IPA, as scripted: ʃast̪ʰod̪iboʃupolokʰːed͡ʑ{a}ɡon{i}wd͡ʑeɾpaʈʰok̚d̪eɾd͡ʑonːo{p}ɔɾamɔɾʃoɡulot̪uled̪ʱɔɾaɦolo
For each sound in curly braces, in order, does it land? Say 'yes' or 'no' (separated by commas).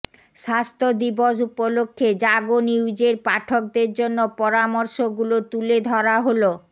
yes, yes, yes